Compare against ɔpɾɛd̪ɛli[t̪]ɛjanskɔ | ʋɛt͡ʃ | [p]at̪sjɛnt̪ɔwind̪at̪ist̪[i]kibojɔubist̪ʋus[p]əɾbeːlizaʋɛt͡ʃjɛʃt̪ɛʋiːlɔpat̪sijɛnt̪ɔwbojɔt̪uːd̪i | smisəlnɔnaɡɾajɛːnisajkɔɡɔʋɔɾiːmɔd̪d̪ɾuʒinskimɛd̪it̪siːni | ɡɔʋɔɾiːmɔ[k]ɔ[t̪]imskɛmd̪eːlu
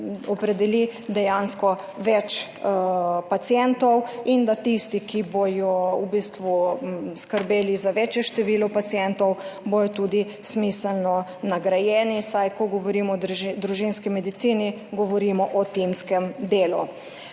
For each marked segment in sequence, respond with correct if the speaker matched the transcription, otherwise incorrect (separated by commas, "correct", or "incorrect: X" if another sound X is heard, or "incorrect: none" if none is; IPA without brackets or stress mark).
incorrect: d̪, correct, correct, incorrect: k, incorrect: ʔ, correct